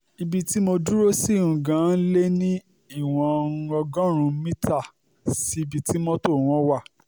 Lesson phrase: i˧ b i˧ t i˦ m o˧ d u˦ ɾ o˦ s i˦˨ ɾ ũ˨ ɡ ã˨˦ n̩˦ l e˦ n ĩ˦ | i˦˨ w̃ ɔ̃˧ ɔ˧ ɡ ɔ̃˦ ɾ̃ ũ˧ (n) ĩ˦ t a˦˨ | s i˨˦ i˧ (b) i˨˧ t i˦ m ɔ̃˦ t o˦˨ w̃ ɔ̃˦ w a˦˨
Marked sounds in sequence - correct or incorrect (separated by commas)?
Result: incorrect, correct